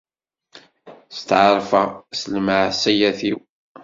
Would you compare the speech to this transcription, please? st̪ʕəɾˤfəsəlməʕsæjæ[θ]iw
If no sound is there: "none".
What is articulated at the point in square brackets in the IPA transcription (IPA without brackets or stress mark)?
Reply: θ